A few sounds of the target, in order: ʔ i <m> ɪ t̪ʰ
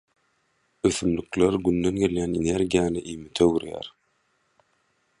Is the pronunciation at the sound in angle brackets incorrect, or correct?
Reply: correct